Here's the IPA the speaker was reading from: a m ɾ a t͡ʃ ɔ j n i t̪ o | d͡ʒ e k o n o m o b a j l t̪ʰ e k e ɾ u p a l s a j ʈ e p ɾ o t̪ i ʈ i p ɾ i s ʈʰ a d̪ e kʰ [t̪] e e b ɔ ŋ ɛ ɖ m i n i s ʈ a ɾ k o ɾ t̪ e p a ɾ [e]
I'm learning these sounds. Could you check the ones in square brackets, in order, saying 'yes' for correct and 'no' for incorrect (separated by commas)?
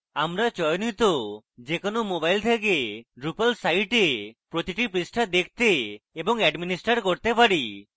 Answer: yes, no